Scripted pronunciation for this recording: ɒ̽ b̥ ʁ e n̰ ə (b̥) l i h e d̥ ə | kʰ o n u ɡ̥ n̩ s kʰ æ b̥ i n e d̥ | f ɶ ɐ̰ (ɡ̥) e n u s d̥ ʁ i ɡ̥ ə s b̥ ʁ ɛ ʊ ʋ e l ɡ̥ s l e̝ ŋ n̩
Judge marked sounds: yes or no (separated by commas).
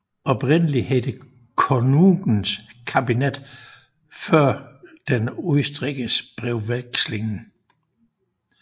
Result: no, no